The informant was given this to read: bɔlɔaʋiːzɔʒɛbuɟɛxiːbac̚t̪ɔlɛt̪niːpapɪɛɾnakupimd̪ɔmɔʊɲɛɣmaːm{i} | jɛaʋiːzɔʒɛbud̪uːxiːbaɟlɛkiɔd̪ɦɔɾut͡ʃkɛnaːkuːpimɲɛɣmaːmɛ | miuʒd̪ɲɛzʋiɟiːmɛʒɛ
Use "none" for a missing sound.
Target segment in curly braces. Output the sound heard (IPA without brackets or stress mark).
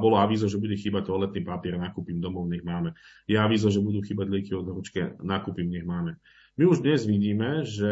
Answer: ɛ